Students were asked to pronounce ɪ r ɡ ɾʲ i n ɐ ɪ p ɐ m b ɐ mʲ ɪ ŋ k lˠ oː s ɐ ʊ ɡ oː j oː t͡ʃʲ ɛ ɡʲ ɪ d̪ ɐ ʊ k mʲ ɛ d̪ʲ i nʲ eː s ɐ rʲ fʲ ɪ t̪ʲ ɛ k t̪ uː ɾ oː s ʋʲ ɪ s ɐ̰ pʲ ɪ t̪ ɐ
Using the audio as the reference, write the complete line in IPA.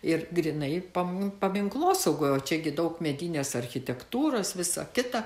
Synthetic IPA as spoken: ɪ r ɡ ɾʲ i n ɐ ɪ p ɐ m p ɐ mʲ ɪ ŋ k lˠ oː s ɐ ʊ ɡ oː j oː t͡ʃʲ ɛ ɡʲ ɪ d̪ ɐ ʊ k mʲ ɛ d̪ʲ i nʲ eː s ɐ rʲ xʲ ɪ t̪ʲ ɛ k t̪ uː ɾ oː s ʋʲ ɪ s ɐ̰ kʲ ɪ t̪ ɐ

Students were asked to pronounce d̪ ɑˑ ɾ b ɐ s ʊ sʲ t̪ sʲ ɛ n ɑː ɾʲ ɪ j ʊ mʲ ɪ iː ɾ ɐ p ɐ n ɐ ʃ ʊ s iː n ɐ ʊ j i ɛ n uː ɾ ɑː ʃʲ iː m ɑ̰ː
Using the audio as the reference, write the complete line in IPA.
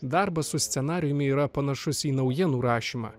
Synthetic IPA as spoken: d̪ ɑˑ ɾ b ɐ s ʊ sʲ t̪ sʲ ɛ n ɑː ɾʲ ɪ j ʊ mʲ ɪ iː ɾ ɐ p ɐ n ɐ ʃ ʊ s iː n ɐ ʊ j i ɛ n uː ɾ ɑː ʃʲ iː m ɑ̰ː

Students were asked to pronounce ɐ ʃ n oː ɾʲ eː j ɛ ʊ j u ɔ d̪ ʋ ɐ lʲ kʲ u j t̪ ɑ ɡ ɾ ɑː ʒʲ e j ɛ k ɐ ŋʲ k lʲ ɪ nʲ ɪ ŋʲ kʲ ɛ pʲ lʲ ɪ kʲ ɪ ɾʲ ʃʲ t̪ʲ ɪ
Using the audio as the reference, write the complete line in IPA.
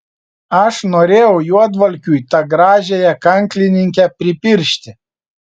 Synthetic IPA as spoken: ɐ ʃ n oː ɾʲ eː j ɛ ʊ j u ɔ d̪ ʋ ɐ lʲ kʲ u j t̪ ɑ ɡ ɾ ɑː ʒʲ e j ɛ k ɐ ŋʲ k lʲ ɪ nʲ ɪ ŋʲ kʲ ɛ pʲ ɾʲ ɪ pʲ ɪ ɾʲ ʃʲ t̪ʲ ɪ

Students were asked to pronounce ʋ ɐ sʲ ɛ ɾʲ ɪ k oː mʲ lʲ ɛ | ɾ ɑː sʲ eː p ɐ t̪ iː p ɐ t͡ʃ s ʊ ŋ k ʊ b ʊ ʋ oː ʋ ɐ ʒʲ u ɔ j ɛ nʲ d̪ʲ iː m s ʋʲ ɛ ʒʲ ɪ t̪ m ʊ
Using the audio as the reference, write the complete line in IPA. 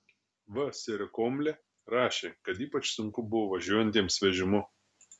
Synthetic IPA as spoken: ʋ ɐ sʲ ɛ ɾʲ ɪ k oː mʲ lʲ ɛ | ɾ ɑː ʃʲ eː k ɐ t̪ iː p ɐ t͡ʃ s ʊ ŋ k ʊ b ʊ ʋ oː ʋ ɐ ʒʲ u ɔ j ɛ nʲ t̪ʲ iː m s ʋʲ ɛ ʒʲ ɪ m ʊ

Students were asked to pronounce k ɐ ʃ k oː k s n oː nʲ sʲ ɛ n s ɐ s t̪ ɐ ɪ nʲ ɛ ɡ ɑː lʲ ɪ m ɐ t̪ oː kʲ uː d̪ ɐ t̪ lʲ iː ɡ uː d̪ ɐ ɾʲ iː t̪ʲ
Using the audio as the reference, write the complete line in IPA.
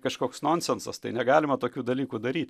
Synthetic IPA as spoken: k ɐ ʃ k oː k s n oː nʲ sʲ ɛ n s ɐ s t̪ ɐ ɪ nʲ ɛ ɡ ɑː lʲ ɪ m ɐ t̪ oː kʲ uː d̪ ɐ lʲ iː k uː d̪ ɐ ɾʲ iː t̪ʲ

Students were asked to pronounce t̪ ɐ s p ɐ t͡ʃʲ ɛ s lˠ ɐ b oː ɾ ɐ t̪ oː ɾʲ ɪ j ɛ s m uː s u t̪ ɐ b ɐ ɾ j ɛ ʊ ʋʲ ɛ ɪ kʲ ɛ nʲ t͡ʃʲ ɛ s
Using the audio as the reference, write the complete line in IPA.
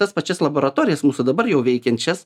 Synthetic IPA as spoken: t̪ ɐ s p ɐ t͡ʃʲ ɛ s lˠ ɐ b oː ɾ ɐ t̪ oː ɾʲ ɪ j ɛ s m uː s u d̪ ɐ b ɐ ɾ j ɛ ʊ ʋʲ ɛ ɪ kʲ ɛ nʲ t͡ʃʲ ɛ s

